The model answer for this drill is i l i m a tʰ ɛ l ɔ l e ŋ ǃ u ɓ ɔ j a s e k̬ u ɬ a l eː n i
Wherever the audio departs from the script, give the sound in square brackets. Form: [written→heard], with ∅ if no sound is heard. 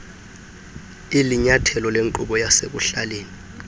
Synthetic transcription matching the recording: i l i [m→ɲ] a tʰ ɛ l ɔ l e ŋ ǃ u ɓ ɔ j a s e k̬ u ɬ a l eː n i